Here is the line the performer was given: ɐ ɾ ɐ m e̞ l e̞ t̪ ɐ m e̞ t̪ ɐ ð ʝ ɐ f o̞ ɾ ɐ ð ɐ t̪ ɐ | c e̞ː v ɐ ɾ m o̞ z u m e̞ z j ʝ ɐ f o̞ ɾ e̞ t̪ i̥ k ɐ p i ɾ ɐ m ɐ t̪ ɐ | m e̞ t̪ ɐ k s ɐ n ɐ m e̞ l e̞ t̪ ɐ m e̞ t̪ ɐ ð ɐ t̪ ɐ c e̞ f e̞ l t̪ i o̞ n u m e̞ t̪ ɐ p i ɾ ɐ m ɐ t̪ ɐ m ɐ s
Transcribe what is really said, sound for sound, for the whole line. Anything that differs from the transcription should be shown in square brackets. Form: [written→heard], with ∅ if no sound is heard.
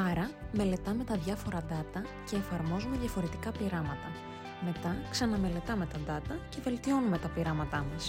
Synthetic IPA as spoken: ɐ ɾ ɐ m e̞ l e̞ t̪ ɐ m e̞ t̪ ɐ ð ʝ ɐ f o̞ ɾ ɐ ð ɐ t̪ ɐ | c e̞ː [v→f] ɐ ɾ m o̞ z u m e̞ [z→ð] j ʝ ɐ f o̞ ɾ e̞ t̪ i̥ k ɐ p i ɾ ɐ m ɐ t̪ ɐ | m e̞ t̪ ɐ k s ɐ n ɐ m e̞ l e̞ t̪ ɐ m e̞ t̪ ɐ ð ɐ t̪ ɐ c e̞ [f→v] e̞ l t̪ i o̞ n u m e̞ t̪ ɐ p i ɾ ɐ m ɐ t̪ ɐ m ɐ s